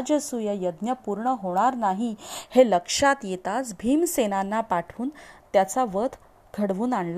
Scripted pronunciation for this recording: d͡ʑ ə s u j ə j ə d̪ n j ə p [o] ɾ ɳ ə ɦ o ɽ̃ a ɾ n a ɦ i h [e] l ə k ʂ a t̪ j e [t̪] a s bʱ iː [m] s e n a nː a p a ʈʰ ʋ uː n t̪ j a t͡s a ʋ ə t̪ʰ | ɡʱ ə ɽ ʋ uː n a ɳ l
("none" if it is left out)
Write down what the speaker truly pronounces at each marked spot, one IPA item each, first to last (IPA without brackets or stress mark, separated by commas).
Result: u, e, t̪, m